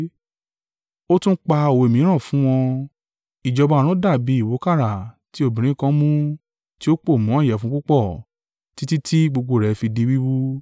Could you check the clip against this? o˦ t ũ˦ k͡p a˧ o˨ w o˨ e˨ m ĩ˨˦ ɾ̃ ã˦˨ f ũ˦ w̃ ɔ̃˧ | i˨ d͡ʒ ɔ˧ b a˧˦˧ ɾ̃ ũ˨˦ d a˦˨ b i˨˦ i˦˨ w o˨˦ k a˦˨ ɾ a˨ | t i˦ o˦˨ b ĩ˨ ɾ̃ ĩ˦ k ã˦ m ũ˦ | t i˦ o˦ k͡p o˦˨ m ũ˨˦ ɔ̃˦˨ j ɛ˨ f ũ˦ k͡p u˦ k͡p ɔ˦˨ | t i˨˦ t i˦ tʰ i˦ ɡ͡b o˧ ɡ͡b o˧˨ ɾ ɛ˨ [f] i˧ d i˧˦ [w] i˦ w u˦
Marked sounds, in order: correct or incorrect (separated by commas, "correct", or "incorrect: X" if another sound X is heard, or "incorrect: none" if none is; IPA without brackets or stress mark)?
correct, correct